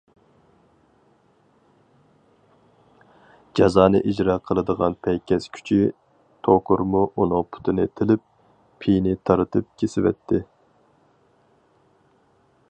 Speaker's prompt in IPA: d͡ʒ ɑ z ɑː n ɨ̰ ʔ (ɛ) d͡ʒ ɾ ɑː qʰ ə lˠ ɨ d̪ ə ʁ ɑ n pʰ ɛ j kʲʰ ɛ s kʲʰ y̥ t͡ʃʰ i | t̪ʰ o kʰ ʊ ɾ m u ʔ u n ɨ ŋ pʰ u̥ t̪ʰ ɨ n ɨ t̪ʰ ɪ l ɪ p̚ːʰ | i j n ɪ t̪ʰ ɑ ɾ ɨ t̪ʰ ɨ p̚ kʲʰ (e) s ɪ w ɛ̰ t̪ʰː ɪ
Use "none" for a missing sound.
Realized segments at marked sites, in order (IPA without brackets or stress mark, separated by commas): i, e